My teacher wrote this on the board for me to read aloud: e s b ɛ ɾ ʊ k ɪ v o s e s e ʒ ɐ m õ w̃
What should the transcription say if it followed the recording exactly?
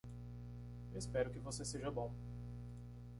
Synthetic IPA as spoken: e s p ɛ ɾ ʊ k ɪ v o s e s e ʒ ɐ b õ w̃